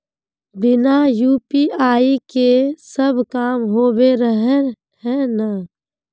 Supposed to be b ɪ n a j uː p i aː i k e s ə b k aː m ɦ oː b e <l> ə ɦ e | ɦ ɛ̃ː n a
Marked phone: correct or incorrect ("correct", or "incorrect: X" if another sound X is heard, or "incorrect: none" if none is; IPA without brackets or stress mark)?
incorrect: ɾ